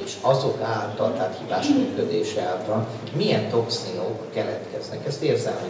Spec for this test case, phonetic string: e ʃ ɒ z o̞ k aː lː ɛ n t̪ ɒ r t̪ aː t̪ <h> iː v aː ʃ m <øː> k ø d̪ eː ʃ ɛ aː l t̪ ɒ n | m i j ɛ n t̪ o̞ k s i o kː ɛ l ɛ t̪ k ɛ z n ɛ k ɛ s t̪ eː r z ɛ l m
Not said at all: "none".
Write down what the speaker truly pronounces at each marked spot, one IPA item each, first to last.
h, yː

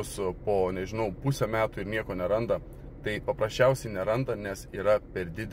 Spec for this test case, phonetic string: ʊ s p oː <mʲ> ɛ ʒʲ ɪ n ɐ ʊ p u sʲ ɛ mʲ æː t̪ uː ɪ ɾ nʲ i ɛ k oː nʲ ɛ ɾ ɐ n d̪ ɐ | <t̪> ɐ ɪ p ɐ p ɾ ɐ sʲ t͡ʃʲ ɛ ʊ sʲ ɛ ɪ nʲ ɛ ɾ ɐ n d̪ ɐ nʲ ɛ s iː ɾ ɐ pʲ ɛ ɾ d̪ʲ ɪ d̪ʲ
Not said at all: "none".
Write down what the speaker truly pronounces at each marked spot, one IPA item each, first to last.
nʲ, t̪

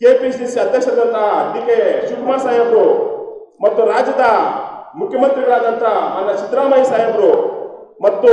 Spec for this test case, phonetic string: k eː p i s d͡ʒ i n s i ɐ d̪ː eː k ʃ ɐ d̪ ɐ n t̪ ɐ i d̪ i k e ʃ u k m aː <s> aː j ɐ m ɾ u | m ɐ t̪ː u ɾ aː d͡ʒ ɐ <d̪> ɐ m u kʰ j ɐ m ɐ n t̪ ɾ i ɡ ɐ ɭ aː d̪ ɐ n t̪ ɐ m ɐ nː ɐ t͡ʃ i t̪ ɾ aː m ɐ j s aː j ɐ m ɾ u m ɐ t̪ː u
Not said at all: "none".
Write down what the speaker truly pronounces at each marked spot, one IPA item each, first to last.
s, d̪

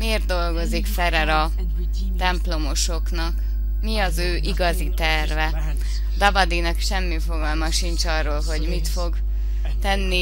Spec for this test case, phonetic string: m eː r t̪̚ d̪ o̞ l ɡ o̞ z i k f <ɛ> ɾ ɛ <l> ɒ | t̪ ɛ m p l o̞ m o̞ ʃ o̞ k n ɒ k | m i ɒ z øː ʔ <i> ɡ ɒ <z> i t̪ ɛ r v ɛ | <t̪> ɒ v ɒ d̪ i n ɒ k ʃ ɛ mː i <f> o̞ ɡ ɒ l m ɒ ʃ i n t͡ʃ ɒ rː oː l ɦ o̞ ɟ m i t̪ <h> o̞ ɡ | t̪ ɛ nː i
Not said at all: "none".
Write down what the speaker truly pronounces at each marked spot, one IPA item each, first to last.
ɛ, ɾ, i, z, d̪, f, f

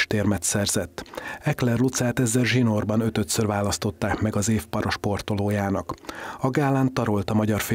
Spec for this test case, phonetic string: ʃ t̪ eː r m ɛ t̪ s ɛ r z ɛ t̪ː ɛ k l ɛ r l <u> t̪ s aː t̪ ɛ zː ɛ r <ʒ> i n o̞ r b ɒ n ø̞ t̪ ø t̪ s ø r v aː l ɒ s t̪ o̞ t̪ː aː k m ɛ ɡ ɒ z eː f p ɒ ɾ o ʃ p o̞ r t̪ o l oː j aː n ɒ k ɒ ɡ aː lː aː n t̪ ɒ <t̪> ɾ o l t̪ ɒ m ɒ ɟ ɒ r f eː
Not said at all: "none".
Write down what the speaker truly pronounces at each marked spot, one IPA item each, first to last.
u, ʒ, none

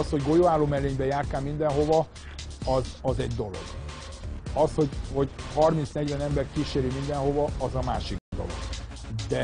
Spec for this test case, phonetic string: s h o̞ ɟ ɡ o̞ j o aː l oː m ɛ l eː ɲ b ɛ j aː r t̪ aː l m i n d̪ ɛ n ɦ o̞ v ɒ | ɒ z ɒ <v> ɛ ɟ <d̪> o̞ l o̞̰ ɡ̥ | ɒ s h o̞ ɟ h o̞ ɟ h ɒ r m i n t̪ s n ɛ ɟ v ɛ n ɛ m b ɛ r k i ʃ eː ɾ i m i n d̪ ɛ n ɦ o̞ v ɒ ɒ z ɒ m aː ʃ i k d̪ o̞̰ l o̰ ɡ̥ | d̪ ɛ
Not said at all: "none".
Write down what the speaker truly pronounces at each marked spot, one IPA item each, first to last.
z, d̪

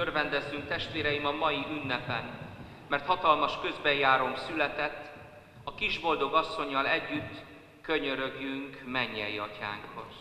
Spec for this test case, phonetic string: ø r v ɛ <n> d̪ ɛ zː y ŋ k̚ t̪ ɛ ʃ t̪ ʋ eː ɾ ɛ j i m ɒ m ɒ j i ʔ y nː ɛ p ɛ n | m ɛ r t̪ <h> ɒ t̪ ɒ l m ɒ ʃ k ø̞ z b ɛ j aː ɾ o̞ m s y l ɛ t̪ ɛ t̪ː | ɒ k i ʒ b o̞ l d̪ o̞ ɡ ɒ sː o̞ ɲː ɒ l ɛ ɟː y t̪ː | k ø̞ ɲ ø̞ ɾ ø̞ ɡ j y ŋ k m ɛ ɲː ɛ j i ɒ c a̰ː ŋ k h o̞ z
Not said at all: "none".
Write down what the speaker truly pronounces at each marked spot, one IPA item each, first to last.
n, h

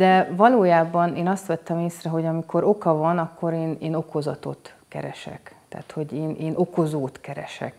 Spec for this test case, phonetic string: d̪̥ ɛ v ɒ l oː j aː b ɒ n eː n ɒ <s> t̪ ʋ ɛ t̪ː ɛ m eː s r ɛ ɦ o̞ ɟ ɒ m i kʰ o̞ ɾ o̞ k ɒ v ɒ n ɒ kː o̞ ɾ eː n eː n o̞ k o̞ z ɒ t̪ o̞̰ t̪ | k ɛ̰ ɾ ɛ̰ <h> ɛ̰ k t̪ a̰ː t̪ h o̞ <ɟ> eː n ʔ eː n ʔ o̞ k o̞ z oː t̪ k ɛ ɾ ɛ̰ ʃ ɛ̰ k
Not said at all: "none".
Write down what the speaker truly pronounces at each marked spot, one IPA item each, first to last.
s, ʃ, ɟ

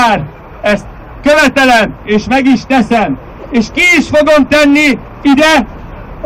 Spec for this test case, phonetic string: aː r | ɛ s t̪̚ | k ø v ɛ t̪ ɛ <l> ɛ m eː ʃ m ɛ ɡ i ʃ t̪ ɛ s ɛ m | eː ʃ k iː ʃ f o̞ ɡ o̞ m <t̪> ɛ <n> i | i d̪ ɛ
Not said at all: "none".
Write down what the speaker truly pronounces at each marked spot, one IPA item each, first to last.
l, t̪, nː

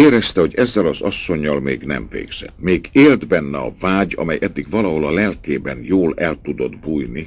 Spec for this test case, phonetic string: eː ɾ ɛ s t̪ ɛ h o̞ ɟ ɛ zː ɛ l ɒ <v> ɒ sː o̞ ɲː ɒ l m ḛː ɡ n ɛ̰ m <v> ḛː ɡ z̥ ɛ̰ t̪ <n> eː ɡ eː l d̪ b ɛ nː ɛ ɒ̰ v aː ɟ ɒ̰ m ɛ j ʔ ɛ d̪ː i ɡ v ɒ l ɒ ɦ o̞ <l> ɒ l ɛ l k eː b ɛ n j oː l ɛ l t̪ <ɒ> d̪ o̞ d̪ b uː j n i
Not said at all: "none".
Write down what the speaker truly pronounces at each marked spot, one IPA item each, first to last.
z, v, m, l, u

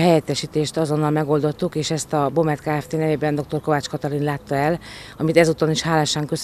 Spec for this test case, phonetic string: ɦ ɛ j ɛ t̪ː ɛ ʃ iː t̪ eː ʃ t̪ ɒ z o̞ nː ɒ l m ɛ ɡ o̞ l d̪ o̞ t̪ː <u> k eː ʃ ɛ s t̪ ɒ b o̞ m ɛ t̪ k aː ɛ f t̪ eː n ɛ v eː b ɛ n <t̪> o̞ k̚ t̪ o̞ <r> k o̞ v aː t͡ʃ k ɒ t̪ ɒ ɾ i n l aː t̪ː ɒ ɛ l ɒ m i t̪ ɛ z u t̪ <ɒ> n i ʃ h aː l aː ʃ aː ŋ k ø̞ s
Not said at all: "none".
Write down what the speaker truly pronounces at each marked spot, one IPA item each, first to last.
u, d̪, r, o

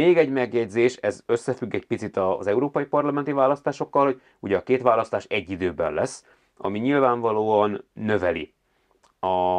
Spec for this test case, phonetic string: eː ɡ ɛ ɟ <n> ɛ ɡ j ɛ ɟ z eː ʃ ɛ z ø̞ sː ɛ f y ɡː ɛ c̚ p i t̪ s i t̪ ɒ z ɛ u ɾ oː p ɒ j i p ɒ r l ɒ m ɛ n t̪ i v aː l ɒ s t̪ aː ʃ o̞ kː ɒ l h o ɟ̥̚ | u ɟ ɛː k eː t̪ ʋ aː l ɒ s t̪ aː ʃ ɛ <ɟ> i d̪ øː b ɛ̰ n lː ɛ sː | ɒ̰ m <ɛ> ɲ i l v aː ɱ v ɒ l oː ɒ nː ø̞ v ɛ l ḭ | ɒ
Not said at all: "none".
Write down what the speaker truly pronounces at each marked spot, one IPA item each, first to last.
m, ɟː, i

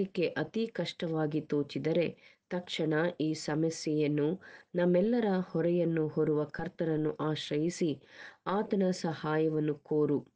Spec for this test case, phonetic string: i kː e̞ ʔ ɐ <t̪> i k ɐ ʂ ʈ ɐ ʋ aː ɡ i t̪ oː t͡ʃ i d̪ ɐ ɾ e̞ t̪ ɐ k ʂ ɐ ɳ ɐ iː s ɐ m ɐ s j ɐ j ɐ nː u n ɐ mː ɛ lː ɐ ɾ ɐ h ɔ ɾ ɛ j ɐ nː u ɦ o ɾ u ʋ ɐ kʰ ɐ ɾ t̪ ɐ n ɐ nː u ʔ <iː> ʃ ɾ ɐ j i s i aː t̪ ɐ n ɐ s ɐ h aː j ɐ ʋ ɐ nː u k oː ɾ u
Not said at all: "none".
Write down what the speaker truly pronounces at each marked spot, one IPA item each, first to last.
t̪, aː

